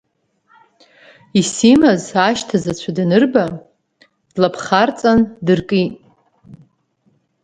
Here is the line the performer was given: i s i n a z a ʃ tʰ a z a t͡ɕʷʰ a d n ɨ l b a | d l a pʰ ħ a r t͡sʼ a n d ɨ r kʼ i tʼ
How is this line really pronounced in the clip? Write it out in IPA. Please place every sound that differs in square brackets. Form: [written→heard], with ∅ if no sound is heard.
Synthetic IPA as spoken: i s i [n→m] a z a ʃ tʰ a z a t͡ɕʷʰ a d n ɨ [l→r] b a | d l a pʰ [ħ→χ] a r t͡sʼ a n d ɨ r kʼ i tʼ